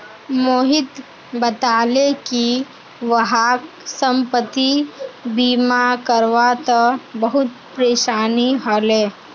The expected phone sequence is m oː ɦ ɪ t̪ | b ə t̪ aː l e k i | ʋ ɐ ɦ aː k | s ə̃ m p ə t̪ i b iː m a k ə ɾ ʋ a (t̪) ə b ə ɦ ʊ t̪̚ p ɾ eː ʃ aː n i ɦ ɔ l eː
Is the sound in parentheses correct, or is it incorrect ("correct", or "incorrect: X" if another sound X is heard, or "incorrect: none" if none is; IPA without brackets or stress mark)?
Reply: correct